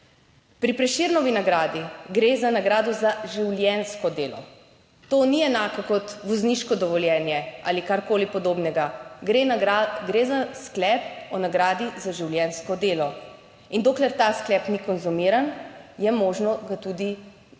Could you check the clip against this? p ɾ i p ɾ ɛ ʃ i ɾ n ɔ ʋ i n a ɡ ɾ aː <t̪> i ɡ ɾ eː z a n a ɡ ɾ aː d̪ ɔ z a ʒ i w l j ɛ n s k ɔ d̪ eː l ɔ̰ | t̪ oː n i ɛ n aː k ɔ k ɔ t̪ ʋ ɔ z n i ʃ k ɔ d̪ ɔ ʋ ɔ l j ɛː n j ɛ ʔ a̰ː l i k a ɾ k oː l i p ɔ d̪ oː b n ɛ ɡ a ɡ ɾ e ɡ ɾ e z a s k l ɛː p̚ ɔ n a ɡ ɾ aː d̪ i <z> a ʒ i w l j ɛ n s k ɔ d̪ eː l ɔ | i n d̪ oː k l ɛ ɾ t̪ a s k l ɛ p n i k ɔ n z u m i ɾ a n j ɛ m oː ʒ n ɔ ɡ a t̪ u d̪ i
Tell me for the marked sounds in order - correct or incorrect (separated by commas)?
incorrect, correct